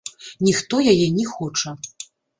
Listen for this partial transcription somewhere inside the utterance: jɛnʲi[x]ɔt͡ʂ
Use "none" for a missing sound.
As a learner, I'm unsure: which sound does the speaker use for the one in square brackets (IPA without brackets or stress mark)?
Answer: x